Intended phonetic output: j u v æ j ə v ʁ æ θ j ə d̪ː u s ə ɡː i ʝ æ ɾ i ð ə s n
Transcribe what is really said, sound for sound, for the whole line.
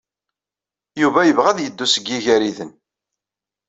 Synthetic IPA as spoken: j u v æ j ə v ʁ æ ð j ə d̪ː u s ə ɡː i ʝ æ ɾ i ð ə n